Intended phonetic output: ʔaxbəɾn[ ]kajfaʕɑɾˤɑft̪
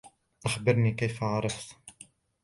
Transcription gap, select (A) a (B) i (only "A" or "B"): B